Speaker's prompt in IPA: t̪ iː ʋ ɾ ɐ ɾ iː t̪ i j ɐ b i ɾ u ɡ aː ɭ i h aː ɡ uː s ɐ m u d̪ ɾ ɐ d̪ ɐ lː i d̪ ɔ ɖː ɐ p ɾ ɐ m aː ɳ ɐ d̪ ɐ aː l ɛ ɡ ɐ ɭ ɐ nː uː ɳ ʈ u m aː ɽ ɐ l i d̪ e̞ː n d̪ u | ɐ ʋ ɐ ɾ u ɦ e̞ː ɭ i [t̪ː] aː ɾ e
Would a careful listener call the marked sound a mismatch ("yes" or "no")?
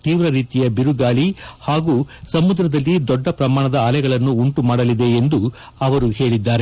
yes